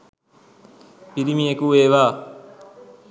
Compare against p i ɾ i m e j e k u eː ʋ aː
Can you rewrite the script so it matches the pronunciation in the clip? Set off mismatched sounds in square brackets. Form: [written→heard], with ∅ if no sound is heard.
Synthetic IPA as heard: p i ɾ i m [e→i] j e k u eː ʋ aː

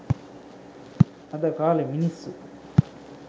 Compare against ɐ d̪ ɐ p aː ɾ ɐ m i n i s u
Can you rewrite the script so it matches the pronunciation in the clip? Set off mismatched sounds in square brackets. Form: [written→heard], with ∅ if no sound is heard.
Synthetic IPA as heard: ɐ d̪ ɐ [p→k] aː [ɾ→l] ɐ m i n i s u

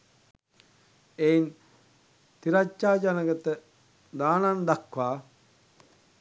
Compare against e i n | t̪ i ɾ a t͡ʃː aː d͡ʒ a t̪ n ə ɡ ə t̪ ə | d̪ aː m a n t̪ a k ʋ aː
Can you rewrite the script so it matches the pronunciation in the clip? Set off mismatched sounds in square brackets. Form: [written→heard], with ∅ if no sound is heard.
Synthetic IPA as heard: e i n | t̪ i ɾ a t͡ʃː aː d͡ʒ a [t̪→∅] n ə ɡ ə t̪ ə | d̪ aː [m→n] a n [t̪→d̪] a k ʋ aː

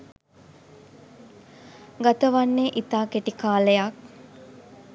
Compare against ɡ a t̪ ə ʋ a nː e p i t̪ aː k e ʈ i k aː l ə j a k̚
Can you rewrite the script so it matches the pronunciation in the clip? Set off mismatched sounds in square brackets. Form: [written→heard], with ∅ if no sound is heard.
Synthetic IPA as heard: ɡ a t̪ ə ʋ a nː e [p→ʔ] i t̪ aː k e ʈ i k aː l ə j a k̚

